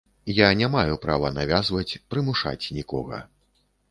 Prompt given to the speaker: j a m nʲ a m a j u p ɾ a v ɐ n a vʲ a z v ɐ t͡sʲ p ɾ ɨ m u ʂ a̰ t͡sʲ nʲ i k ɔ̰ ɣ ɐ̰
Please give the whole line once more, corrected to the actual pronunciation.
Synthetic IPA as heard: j a nʲ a m a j u p ɾ a v ɐ n a vʲ a z v ɐ t͡sʲ p ɾ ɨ m u ʂ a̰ t͡sʲ nʲ i k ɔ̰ ɣ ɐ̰